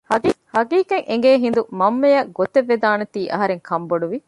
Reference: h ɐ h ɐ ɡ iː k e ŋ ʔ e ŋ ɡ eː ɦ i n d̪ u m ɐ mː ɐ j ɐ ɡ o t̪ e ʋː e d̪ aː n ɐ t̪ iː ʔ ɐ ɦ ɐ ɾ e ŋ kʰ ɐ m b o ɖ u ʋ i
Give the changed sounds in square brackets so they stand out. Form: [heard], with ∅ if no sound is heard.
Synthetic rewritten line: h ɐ h ɐ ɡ iː k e ŋ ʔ e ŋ ɡ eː ɦ i n d̪ u m ɐ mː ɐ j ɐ ɡ o t̪ e ʋː e d̪ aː n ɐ t̪ iː ʔ ɐ ɦ ɐ ɾ e ŋ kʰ ɐ m b o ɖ u ʋ i

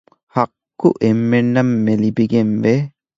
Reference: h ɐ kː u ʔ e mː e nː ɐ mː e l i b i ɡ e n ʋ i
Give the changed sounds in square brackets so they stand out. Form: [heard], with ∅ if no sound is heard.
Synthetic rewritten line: h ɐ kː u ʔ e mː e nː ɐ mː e l i b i ɡ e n ʋ [e]

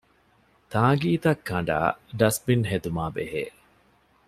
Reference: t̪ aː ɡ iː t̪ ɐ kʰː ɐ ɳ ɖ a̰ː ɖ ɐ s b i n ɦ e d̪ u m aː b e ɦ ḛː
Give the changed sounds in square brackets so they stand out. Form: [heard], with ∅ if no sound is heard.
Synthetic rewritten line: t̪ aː ɡ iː t̪ ɐ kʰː ɐ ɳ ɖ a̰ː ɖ ɐ s b i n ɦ e d̪ u m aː b e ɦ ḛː

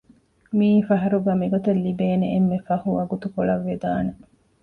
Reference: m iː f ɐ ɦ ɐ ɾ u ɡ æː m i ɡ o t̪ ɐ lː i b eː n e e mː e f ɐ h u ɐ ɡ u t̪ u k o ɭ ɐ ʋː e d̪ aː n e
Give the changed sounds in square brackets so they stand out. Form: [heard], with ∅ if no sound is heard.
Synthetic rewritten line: m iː f ɐ ɦ ɐ ɾ u ɡ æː m i ɡ o t̪ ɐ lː i b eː n e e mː e f ɐ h u ɐ ɡ u t̪ u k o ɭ ɐ ʋː e d̪ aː n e

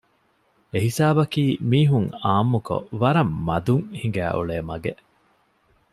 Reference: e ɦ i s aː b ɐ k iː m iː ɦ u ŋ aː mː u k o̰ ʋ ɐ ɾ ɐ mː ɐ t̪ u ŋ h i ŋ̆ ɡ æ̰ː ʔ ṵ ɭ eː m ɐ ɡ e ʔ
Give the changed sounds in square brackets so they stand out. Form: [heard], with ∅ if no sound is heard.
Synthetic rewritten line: e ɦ i s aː b ɐ k iː m iː ɦ u ŋ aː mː u k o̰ ʋ ɐ ɾ ɐ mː ɐ [d̪] u ŋ h i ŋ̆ ɡ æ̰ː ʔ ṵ ɭ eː m ɐ ɡ e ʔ

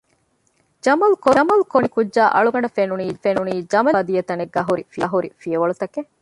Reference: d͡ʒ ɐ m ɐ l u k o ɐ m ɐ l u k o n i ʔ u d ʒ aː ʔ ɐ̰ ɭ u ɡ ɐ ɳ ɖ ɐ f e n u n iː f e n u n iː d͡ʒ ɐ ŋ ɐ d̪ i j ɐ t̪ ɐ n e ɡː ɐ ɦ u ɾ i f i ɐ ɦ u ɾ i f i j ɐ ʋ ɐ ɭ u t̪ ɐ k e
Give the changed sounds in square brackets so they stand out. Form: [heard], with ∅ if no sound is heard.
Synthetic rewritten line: d͡ʒ ɐ m ɐ l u k o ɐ m ɐ l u k o n i [k] u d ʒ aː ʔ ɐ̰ ɭ u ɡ ɐ ɳ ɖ ɐ f e n u n iː f e n u n iː d͡ʒ ɐ [m] ɐ d̪ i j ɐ t̪ ɐ n e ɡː ɐ ɦ u ɾ i f i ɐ ɦ u ɾ i f i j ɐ ʋ ɐ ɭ u t̪ ɐ k e

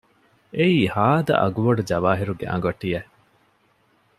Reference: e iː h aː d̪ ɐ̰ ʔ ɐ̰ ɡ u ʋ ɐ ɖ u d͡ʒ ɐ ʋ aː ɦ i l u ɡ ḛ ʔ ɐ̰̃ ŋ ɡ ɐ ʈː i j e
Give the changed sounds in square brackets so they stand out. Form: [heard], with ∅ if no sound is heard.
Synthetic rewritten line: e iː h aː d̪ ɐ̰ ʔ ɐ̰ ɡ u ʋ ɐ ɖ u d͡ʒ ɐ ʋ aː ɦ i [ɾ] u ɡ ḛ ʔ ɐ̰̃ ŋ ɡ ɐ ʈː i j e

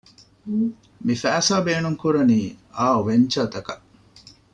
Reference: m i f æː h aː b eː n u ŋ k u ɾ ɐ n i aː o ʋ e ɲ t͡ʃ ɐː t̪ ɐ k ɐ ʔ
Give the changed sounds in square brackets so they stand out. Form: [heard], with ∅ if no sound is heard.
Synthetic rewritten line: m i f æː [s] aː b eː n u ŋ k u ɾ ɐ n [iː] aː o ʋ e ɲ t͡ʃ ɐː t̪ ɐ k ɐ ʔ

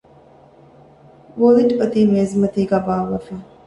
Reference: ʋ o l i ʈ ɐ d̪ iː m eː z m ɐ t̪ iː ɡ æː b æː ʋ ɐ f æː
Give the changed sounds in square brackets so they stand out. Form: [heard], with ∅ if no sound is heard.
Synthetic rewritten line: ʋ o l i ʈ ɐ [t̪] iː m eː z m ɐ t̪ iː ɡ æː b [aː] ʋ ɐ f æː

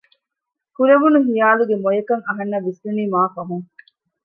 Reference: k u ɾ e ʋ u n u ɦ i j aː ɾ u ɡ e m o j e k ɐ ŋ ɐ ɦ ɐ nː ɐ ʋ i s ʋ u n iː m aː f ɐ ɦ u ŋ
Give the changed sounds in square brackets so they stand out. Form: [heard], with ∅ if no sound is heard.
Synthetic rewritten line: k u ɾ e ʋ u n u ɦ i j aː [l] u ɡ e m o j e k ɐ ŋ ɐ ɦ ɐ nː ɐ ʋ i s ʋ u n iː m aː f ɐ ɦ u ŋ

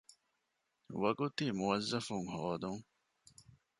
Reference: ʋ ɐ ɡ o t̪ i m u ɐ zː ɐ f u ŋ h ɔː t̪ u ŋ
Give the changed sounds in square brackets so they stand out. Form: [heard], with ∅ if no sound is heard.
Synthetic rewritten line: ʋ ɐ ɡ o t̪ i m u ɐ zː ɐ f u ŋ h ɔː [d̪] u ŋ

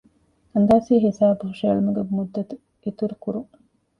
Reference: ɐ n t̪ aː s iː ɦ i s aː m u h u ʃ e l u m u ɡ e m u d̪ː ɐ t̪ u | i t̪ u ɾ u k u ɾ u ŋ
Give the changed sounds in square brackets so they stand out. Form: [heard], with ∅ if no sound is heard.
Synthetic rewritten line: ɐ n [d̪] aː s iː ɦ i s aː [b] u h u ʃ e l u m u ɡ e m u d̪ː ɐ t̪ u | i t̪ u ɾ u k u ɾ u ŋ

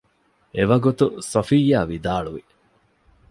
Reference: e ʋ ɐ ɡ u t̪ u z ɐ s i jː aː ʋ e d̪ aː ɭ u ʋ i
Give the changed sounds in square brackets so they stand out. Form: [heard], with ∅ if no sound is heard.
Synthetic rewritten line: e ʋ ɐ ɡ u t̪ u [s] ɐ [f] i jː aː ʋ [i] d̪ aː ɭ u ʋ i

